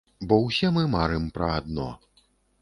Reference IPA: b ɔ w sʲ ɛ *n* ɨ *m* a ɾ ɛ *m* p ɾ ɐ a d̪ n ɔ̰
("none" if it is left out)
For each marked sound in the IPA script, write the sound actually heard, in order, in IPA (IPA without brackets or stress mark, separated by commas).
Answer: m, m, m